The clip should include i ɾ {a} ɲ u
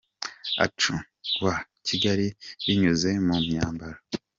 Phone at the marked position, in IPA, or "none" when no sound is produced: i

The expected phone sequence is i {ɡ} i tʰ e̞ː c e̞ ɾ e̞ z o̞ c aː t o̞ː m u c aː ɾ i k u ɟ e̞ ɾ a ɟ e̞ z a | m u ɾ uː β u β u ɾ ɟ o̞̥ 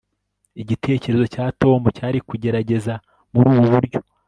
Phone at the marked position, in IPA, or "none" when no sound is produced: ɟ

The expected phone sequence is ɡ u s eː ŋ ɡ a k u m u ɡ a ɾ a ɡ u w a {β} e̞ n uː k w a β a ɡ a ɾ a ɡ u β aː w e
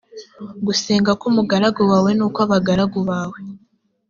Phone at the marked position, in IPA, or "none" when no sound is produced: w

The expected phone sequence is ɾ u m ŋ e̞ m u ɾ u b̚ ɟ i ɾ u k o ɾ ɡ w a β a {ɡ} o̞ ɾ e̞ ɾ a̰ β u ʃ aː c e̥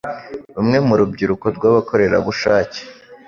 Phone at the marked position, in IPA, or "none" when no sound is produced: k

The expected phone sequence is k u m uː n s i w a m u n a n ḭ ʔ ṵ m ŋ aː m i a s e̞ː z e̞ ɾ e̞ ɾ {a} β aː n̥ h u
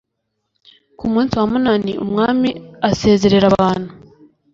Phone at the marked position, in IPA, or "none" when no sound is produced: a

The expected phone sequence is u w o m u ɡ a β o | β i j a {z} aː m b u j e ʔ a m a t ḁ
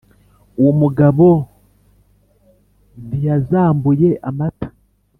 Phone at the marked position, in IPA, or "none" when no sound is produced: z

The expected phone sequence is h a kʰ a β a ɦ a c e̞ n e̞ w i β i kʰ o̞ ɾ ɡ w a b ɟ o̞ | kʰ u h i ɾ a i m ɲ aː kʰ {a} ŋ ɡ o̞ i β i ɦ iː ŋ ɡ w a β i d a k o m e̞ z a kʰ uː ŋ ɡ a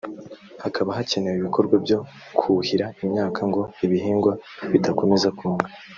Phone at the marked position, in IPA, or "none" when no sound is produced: a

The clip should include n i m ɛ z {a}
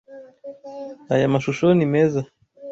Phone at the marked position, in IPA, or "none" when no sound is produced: a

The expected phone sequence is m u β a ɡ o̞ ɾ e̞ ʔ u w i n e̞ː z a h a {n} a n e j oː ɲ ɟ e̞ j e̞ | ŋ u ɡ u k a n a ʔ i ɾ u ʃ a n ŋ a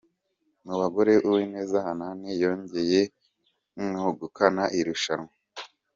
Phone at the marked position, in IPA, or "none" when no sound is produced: n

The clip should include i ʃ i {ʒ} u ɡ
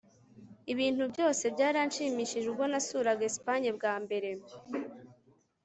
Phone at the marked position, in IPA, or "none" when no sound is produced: ʒ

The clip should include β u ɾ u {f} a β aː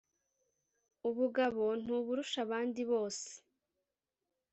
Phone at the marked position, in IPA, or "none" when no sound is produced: ʃ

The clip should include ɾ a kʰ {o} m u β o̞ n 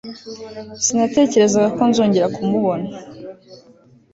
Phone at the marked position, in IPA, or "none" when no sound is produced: u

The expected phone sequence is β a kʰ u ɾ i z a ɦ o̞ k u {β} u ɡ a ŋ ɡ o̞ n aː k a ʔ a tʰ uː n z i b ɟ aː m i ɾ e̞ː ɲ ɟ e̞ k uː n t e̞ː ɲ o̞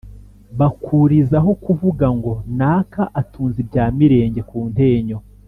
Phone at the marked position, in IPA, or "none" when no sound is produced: v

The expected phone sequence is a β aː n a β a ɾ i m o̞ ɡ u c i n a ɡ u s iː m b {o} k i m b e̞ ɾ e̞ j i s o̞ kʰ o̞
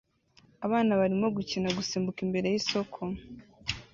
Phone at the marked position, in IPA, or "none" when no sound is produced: u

